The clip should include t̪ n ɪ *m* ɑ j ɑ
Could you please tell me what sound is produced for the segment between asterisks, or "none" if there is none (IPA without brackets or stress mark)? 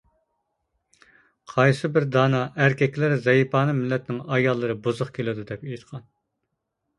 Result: ŋ